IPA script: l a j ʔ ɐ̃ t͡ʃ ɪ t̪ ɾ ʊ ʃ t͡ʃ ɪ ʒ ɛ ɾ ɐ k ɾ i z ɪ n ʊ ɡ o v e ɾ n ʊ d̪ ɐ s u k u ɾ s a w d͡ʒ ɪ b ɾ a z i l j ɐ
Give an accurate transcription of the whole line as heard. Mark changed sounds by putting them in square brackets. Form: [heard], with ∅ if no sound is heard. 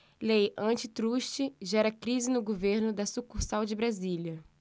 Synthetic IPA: l [e] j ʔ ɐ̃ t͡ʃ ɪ t̪ ɾ [u] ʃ t͡ʃ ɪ ʒ ɛ ɾ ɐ k ɾ i z ɪ n ʊ ɡ o v e ɾ n ʊ d̪ ɐ s u k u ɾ s a w d͡ʒ ɪ b ɾ a z i l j ɐ